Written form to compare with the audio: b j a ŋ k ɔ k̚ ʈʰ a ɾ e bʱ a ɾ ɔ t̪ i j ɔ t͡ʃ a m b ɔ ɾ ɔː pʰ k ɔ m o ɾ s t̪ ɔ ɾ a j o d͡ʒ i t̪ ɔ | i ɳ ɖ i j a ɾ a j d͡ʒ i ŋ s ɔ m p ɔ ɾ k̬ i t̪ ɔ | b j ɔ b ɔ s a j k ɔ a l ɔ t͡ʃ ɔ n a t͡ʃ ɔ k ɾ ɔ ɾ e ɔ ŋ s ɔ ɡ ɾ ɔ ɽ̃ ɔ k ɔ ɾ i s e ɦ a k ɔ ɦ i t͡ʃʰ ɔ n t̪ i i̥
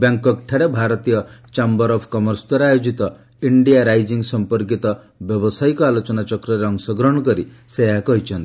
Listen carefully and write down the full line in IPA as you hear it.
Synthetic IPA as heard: b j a ŋ k ɔ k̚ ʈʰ a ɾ e bʱ a ɾ ɔ t̪ i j ɔ t͡ʃ a m b ɔ ɾ ɔ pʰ k ɔ m ɔ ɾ s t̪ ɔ ɾ a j o d͡ʒ i t̪ ɔ | i ɳ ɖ i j a ɾ a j d͡ʒ i ŋ s ɔ m p ɔ ɾ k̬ i t̪ ɔ | b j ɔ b ɔ s a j k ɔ a l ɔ t͡ʃ ɔ n a t͡ʃ ɔ k ɾ ɔ ɾ e ɔ ŋ s ɔ ɡ ɾ ɔ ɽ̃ ɔ k ɔ ɾ i s e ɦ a k ɔ ɦ i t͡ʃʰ ɔ n t̪ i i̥

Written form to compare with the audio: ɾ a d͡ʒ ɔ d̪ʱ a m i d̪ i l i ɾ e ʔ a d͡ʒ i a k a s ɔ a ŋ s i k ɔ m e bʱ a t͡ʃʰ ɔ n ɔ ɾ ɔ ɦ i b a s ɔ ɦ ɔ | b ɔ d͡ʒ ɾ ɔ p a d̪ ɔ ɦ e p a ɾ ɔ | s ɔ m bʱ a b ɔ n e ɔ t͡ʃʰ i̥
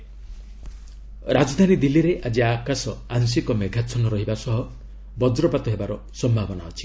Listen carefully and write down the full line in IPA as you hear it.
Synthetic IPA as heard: ɾ a d͡ʒ ɔ d̪ʱ a n i d̪ i l i ɾ e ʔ a d͡ʒ i a k a s ɔ a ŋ s i k ɔ m e ɡʱ a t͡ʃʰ ɔ n ɔ ɾ ɔ ɦ i b a s ɔ ɦ ɔ | b ɔ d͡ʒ ɾ ɔ p a t̪ ɔ ɦ e b a ɾ ɔ | s ɔ m bʱ a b ɔ n a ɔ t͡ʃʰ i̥

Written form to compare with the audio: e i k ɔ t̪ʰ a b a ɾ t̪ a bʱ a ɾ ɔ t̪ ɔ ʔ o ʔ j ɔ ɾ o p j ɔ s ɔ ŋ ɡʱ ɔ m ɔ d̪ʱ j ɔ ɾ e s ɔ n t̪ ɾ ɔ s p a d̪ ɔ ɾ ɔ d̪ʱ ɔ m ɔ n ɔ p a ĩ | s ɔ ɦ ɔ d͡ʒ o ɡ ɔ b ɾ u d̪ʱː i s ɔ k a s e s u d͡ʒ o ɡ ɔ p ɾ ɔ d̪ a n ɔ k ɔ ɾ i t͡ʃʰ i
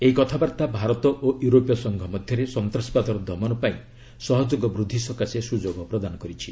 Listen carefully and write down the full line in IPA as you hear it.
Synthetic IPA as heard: e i k ɔ t̪ʰ a b a ɾ t̪ a bʱ a ɾ ɔ t̪ ɔ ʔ o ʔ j u ɾ o p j ɔ s ɔ ŋ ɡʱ ɔ m ɔ d̪ʱ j ɔ ɾ e s ɔ n t̪ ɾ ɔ s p a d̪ ɔ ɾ ɔ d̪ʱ ɔ m ɔ n ɔ p a ĩ | s ɔ ɦ ɔ d͡ʒ o ɡ ɔ b ɾ u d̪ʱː i s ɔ k a s e s u d͡ʒ o ɡ ɔ p ɾ ɔ d̪ a n ɔ k ɔ ɾ i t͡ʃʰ i

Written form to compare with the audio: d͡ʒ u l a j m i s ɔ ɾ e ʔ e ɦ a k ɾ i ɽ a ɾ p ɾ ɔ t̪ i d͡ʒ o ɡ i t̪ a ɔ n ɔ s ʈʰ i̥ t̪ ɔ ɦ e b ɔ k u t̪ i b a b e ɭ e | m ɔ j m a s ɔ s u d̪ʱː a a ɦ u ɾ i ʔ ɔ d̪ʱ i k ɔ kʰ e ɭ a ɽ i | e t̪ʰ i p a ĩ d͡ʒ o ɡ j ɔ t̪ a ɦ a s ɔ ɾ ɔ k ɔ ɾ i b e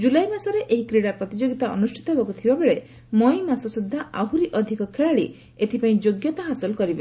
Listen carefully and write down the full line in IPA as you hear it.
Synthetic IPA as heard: d͡ʒ u l a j m a s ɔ ɾ e ʔ e ɦ i k ɾ i ɽ a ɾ p ɾ ɔ t̪ i d͡ʒ o ɡ i t̪ a ɔ n u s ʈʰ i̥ t̪ ɔ ɦ e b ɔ k u t̪ʰ i b a b e ɭ e | m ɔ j m a s ɔ s u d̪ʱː a a ɦ u ɾ i ʔ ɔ d̪ʱ i k ɔ kʰ e ɭ a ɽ i | e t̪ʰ i p a ĩ d͡ʒ o ɡ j ɔ t̪ a ɦ a s ɔ l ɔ k ɔ ɾ i b e

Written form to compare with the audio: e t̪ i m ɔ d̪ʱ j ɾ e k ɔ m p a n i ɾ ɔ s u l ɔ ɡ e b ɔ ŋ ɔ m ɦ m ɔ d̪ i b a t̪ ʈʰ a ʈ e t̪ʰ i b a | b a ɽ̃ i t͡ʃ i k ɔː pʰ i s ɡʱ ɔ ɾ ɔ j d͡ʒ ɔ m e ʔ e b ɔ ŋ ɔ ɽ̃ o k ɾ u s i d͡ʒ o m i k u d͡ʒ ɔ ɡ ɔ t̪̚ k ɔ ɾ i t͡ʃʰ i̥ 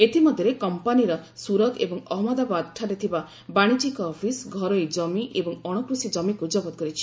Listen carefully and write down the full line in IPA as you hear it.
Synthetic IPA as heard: e t̪ i m ɔ d̪ʱ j ɾ e k ɔ m p a n i ɾ ɔ s u ɾ ɔ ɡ e b ɔ ŋ ɔ ɦ m ɔ d̪ a b a d̪ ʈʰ a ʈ e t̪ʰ i b a | b a ɽ̃ i t͡ʃ i k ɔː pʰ i s ɡʱ ɔ ɾ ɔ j d͡ʒ ɔ m i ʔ e b ɔ ŋ ɔ ɽ̃ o k ɾ u s i d͡ʒ ɔ m i k u d͡ʒ ɔ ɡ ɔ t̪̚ k ɔ ɾ i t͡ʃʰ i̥

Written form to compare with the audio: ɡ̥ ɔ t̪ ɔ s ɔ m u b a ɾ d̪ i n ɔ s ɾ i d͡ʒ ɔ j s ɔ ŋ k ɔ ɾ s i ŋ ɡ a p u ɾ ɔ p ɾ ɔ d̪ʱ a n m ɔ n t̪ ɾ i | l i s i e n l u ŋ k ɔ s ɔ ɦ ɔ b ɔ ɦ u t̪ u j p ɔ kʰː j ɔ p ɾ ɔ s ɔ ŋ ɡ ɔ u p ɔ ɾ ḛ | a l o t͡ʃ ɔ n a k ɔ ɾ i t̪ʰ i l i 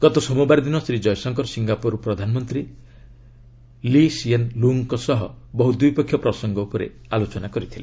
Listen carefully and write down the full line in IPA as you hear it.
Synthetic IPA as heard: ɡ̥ ɔ t̪ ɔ s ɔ m u b a ɾ d̪ i n ɔ s ɾ i d͡ʒ ɔ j s ɔ ŋ k ɔ ɾ s i ŋ ɡ a p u ɾ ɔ p ɾ ɔ d̪ʱ a n m ɔ n t̪ ɾ i | l i s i e n l u ŋ k ɔ s ɔ ɦ ɔ b ɔ ɦ u d̪ u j p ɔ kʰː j ɔ p ɾ ɔ s ɔ ŋ ɡ ɔ u p ɔ ɾ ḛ | a l o t͡ʃ ɔ n a k ɔ ɾ i t̪ʰ i l e

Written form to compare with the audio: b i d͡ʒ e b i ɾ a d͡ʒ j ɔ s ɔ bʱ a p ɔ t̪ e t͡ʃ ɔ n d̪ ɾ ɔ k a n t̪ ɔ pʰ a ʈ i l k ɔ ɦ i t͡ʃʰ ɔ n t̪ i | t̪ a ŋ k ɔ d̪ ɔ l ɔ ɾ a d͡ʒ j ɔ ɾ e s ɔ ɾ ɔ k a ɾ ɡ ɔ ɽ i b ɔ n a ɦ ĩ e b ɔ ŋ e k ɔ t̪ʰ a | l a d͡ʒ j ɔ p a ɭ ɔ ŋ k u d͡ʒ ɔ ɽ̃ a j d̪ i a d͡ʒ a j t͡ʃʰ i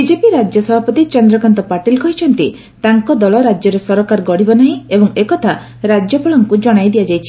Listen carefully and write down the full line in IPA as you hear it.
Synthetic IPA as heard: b i d͡ʒ e p i ɾ a d͡ʒ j ɔ s ɔ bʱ a p ɔ t̪ i t͡ʃ ɔ n d̪ ɾ ɔ k a n t̪ ɔ p a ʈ i l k ɔ ɦ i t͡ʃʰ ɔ n t̪ i | t̪ a ŋ k ɔ d̪ ɔ l ɔ ɾ a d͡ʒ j ɔ ɾ e s ɔ ɾ ɔ k a ɾ ɡ ɔ ɽ i b ɔ n a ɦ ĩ e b ɔ ŋ e k ɔ t̪ʰ a | ɾ a d͡ʒ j ɔ p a ɭ ɔ ŋ k u d͡ʒ ɔ ɽ̃ a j d̪ i a d͡ʒ a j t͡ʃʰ i

